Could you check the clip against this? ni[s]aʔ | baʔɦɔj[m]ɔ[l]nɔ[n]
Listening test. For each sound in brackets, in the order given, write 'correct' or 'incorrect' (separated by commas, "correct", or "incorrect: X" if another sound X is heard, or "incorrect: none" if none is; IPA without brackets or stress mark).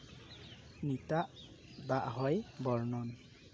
incorrect: t, incorrect: b, incorrect: ɹ, correct